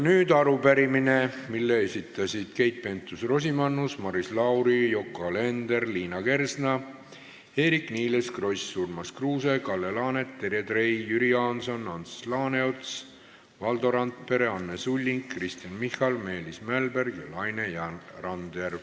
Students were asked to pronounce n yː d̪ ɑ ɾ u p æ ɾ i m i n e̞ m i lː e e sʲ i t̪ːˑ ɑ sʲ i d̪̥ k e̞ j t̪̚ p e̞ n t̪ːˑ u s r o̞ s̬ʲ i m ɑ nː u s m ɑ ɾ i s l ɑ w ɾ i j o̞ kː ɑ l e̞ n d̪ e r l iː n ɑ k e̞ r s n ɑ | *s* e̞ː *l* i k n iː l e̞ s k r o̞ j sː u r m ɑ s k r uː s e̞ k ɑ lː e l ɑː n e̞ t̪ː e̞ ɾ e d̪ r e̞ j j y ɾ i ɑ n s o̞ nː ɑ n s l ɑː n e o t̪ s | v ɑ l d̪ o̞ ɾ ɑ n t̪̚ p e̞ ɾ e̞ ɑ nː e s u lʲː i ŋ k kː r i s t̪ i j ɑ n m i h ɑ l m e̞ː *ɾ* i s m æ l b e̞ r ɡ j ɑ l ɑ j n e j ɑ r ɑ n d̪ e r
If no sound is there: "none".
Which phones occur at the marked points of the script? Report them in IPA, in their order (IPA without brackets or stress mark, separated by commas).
h, ɾ, l